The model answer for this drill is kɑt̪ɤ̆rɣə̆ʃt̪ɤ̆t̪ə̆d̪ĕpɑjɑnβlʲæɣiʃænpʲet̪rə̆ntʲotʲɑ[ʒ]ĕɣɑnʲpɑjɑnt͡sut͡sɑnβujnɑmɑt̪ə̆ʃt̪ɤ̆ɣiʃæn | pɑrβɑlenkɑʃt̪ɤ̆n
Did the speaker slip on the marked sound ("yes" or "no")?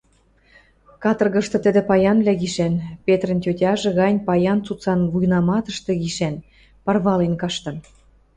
no